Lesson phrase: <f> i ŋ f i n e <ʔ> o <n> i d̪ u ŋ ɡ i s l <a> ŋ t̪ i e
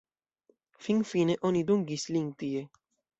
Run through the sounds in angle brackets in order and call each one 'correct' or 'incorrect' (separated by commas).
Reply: correct, correct, correct, incorrect